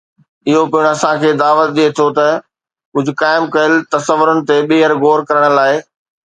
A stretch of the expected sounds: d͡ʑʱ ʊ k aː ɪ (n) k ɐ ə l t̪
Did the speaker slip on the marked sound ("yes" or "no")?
yes